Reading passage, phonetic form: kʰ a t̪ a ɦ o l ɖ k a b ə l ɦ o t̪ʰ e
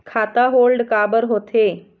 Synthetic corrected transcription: kʰ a t̪ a ɦ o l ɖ k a b ə ɾ ɦ o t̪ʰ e